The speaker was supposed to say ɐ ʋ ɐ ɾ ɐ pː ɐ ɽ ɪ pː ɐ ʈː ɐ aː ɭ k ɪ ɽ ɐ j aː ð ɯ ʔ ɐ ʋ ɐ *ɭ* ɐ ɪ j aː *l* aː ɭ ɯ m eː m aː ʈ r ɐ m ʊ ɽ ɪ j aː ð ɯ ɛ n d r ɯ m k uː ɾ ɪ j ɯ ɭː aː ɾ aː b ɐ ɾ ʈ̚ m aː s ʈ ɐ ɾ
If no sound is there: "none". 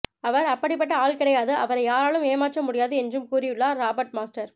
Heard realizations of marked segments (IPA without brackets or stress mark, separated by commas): ɾ, ɾ